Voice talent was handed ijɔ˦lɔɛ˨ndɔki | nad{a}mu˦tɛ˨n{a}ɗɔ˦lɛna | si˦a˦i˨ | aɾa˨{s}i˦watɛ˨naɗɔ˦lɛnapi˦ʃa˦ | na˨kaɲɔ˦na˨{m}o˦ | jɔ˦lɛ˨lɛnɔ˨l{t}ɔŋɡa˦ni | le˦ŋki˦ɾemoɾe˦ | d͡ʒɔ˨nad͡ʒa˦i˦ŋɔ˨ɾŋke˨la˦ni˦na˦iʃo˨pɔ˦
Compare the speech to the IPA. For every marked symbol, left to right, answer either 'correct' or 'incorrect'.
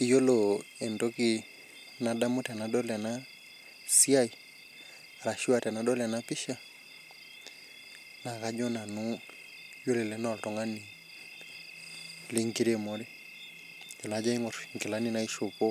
correct, correct, incorrect, incorrect, correct

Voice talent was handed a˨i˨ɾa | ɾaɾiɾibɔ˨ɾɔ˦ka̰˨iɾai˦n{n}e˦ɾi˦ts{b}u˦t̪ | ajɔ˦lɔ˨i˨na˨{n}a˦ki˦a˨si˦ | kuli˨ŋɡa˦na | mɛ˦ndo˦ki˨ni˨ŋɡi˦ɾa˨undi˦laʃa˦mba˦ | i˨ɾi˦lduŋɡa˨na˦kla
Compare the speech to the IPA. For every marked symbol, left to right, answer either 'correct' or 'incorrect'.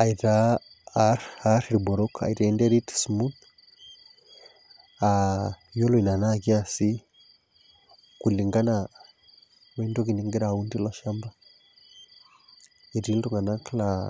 incorrect, incorrect, correct

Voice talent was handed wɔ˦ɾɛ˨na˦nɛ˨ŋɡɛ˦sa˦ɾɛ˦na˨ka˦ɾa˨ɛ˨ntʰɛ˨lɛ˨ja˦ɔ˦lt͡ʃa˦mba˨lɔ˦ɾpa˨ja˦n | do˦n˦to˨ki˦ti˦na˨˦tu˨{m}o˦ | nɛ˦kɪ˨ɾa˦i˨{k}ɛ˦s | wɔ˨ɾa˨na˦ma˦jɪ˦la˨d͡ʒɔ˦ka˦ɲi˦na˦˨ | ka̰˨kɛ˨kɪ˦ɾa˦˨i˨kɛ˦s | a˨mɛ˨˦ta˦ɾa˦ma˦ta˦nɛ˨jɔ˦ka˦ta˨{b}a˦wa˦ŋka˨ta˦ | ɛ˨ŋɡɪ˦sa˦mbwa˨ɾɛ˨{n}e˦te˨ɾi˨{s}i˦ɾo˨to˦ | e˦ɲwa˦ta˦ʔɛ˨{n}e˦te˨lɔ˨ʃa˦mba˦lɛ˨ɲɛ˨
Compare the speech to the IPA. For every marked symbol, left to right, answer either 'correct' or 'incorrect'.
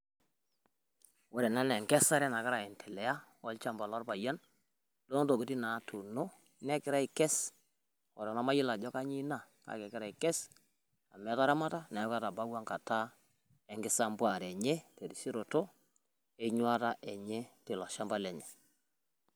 incorrect, correct, correct, incorrect, correct, incorrect

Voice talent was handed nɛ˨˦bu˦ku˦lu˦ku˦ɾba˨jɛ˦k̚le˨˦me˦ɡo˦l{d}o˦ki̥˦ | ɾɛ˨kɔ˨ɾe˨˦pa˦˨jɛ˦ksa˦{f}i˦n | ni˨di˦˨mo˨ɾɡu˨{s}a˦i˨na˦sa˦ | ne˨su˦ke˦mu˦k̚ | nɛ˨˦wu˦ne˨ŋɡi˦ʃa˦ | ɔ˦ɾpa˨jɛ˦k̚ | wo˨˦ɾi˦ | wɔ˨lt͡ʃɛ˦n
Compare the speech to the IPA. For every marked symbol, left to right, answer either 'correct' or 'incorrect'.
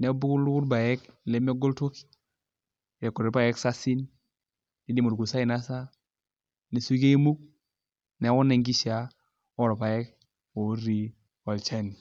incorrect, incorrect, correct

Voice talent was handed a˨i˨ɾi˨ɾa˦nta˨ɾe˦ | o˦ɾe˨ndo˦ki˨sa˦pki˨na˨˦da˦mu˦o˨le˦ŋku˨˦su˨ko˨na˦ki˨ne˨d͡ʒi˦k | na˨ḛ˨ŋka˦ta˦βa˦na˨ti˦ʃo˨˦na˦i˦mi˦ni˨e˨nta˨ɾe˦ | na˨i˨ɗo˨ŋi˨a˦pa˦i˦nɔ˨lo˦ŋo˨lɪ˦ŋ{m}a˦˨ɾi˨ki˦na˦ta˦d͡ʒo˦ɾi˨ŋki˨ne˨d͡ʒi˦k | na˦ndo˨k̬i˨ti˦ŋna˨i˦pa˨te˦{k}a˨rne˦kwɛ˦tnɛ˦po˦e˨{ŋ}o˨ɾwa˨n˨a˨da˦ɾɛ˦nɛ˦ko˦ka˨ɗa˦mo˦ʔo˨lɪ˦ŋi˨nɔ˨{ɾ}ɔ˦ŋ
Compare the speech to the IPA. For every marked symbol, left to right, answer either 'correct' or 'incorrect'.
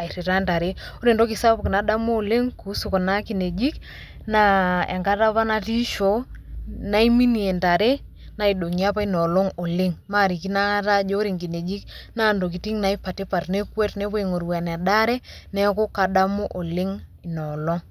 correct, incorrect, correct, incorrect

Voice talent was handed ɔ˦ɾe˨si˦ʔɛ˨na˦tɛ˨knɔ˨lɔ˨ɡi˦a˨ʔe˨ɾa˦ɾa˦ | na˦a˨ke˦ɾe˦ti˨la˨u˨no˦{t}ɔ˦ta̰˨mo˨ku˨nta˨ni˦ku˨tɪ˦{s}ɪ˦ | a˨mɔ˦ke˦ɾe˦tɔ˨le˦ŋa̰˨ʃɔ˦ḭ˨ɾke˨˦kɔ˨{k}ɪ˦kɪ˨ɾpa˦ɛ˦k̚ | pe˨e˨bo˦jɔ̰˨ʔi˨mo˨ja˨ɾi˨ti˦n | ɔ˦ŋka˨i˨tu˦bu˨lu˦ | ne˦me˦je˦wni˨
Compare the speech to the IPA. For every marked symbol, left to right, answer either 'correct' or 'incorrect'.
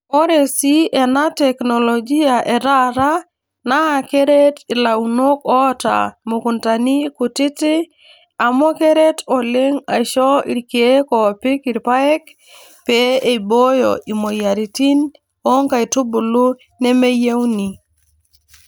incorrect, incorrect, incorrect

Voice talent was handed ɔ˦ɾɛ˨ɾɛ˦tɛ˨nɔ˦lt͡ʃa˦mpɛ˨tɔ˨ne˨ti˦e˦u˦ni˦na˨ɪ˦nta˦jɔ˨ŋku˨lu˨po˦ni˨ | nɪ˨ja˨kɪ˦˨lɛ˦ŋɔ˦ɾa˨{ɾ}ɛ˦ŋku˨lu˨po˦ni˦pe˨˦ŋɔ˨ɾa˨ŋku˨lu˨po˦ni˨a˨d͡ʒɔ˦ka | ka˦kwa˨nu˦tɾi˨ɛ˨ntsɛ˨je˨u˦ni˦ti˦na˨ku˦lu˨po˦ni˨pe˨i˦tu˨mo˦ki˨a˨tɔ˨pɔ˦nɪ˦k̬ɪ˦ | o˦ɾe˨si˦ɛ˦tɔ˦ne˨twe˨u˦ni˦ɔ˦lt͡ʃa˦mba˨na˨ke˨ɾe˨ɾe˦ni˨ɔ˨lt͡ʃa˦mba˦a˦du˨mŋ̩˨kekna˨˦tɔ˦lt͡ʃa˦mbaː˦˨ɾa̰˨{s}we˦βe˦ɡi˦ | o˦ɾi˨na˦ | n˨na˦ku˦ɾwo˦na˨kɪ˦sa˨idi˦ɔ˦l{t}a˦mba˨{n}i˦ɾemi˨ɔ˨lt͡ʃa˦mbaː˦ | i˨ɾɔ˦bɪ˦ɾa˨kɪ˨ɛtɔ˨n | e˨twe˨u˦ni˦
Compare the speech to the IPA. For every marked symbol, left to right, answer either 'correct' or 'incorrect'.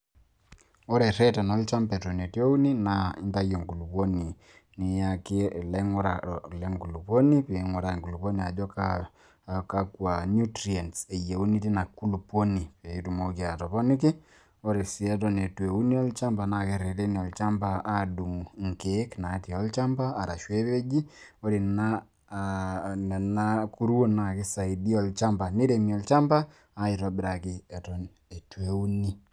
incorrect, incorrect, incorrect, correct

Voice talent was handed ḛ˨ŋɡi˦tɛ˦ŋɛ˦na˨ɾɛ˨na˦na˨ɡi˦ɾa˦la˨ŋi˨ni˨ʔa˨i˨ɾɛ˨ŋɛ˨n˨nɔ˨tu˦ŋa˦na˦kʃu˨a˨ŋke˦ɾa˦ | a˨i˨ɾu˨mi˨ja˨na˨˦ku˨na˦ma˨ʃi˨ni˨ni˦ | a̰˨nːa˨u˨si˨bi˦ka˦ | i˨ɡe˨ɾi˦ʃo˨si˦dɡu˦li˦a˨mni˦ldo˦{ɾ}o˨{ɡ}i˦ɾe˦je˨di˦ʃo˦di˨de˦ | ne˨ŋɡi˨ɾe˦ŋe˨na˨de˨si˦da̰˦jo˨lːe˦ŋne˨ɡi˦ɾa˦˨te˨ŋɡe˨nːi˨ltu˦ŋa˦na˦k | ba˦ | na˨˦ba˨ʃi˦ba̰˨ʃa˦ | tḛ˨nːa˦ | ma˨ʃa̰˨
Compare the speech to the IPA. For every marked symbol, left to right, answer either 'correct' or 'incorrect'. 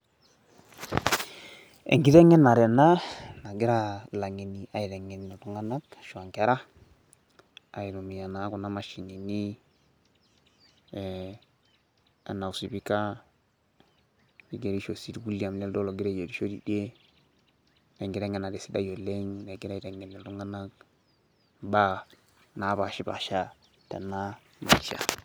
incorrect, correct

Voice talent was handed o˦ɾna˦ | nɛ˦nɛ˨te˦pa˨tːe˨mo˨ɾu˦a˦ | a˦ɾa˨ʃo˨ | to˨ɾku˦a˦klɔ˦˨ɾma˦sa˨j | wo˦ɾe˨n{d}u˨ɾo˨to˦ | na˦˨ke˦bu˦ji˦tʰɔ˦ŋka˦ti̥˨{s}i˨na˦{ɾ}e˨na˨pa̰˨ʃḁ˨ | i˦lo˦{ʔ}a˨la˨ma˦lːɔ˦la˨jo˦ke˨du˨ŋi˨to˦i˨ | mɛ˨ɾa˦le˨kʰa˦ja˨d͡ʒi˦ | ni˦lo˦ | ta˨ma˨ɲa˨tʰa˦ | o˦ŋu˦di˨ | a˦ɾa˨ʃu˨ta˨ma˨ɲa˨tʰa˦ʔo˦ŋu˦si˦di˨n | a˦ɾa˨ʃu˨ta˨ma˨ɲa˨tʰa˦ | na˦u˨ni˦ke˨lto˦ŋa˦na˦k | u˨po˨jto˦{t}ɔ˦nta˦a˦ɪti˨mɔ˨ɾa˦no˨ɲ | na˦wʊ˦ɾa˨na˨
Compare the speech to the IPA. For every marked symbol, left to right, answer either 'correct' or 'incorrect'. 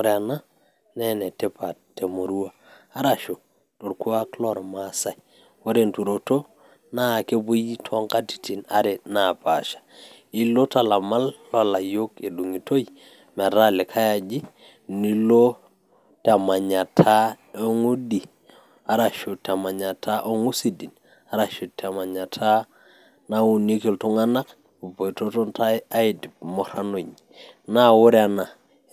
incorrect, incorrect, correct, incorrect, correct

